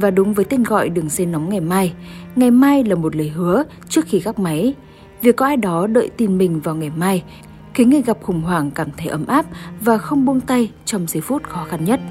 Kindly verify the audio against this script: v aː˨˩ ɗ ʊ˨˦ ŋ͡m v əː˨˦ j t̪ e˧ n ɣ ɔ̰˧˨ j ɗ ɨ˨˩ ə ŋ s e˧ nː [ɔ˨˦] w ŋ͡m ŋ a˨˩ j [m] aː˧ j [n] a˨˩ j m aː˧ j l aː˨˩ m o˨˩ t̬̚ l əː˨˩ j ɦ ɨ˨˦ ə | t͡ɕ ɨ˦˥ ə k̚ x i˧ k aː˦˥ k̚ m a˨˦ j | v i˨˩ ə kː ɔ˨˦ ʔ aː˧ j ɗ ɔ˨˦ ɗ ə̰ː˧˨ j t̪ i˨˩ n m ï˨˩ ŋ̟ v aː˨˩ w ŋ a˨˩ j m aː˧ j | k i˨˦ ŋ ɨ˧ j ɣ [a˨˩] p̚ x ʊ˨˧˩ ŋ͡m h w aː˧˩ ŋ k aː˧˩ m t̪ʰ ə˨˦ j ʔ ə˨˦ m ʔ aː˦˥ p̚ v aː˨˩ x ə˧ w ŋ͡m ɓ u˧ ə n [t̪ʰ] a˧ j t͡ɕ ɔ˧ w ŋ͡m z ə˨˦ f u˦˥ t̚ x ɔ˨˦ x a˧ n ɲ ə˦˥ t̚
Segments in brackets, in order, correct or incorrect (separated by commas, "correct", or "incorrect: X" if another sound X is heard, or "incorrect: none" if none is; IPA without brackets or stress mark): correct, correct, incorrect: ŋ, correct, incorrect: t̪